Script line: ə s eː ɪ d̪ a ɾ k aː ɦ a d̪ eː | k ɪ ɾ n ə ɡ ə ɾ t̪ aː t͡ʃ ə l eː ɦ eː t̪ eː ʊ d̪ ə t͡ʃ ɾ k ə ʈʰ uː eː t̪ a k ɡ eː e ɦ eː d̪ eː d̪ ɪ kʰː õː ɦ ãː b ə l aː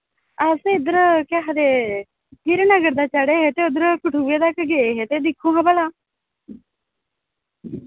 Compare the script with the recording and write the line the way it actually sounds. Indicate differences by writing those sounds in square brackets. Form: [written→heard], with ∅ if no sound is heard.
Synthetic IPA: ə s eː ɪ d̪ [a→ə] ɾ k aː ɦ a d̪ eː | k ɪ ɾ n ə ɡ ə ɾ [t̪→d̪] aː t͡ʃ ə [l→ɽ] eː ɦ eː t̪ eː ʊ d̪ ə [t͡ʃ→∅] ɾ k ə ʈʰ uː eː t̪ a k ɡ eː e ɦ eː [d̪→t̪] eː d̪ ɪ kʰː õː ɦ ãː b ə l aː